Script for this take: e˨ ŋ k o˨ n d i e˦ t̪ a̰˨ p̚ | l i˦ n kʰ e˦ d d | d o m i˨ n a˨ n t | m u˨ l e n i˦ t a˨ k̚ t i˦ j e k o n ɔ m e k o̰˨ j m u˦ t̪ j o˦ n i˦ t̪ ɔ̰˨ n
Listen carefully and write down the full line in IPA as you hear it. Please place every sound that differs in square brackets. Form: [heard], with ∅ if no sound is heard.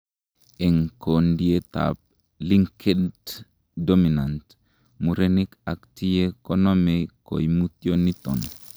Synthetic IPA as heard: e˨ ŋ k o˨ n d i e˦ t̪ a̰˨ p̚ | l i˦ [ŋ] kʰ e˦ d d | d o m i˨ n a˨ n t | m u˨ [ɾ] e n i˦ [k] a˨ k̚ t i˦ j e k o n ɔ m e k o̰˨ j m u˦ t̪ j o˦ n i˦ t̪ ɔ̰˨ n

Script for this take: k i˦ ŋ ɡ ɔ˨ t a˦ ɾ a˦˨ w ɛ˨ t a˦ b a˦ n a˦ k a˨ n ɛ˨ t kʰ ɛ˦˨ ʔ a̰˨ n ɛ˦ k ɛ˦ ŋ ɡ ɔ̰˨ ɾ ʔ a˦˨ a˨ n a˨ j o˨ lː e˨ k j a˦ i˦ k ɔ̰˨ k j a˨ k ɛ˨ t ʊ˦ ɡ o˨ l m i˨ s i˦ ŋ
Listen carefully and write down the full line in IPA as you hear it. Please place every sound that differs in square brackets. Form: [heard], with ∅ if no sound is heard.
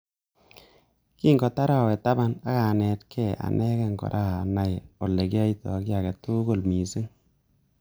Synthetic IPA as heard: k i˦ ŋ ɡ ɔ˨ t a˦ ɾ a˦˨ w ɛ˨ t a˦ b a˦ n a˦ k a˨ n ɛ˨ t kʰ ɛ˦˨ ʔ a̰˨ n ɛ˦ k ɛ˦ ŋ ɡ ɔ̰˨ ɾ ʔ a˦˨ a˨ n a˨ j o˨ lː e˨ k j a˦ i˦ [t] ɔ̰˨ k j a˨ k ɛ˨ t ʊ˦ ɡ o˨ l m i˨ s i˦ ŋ

